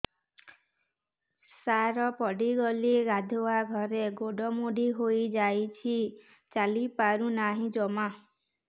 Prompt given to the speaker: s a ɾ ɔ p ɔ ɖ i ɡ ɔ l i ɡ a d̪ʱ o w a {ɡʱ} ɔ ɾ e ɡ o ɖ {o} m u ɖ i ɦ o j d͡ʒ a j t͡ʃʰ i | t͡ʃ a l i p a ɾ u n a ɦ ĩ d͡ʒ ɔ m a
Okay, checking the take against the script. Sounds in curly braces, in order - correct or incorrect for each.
correct, incorrect: ɔ

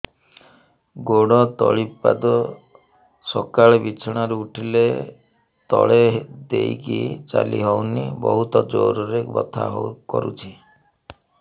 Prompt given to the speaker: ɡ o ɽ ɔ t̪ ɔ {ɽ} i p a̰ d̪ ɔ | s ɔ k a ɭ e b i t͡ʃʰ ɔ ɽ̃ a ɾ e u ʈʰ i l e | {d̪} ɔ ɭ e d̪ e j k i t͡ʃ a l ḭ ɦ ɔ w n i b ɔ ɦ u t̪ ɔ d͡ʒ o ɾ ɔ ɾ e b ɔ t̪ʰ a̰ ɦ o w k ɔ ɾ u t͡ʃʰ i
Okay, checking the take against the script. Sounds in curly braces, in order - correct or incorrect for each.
incorrect: ɭ, incorrect: t̪

